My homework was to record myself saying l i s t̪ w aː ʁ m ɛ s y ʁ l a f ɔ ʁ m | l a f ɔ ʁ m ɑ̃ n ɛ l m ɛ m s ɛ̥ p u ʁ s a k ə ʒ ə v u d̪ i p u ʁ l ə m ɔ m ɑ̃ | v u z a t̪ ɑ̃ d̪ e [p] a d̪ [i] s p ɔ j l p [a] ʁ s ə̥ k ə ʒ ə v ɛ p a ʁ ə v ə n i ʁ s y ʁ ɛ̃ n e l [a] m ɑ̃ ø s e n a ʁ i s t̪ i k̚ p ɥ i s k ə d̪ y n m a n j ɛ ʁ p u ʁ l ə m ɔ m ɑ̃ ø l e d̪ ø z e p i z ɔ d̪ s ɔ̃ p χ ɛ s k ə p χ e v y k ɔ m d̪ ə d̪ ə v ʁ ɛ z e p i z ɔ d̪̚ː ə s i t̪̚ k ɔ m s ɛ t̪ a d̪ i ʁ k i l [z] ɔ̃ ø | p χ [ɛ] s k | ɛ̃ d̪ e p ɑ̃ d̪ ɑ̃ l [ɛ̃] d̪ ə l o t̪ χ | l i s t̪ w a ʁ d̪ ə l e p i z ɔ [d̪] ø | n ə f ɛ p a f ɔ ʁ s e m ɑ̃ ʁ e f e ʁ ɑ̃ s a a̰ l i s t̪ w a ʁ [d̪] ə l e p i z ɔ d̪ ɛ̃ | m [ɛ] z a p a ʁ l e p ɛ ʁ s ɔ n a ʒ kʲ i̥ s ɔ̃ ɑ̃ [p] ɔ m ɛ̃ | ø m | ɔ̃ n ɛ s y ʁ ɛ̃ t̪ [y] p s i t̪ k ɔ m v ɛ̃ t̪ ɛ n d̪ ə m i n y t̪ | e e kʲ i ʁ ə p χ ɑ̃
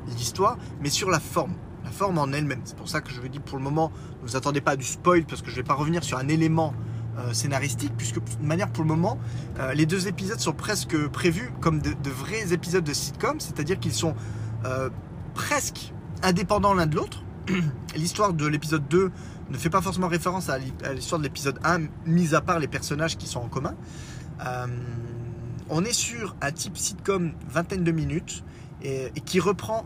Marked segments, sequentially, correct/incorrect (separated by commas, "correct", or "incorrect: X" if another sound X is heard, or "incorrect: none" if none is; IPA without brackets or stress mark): correct, incorrect: y, correct, incorrect: e, incorrect: s, correct, correct, incorrect: d̪ː, correct, incorrect: i, incorrect: k, incorrect: i